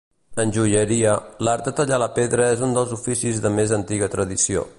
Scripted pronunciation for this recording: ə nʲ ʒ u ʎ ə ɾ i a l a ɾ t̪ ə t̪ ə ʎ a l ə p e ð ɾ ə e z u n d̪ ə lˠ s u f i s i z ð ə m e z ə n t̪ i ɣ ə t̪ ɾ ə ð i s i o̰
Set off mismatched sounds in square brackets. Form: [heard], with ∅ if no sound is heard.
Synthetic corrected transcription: ə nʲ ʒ u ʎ ə ɾ i [ə] l a ɾ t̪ ə t̪ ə ʎ a l ə p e ð ɾ ə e z u n d̪ ə lˠ [z] u f i s i z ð ə m e z ə n t̪ i ɣ ə t̪ ɾ ə ð i s i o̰

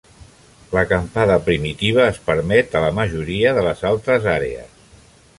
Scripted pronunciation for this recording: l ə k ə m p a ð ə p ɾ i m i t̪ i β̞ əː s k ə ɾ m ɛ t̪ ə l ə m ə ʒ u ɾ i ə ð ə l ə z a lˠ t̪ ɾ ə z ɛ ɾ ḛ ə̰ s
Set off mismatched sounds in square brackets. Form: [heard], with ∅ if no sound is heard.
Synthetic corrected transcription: l ə k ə m p a ð ə p ɾ i m i t̪ i β̞ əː s [p] ə ɾ m ɛ t̪ ə l ə m ə ʒ u ɾ i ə ð ə l ə z a lˠ t̪ ɾ ə z [a] ɾ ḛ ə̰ s

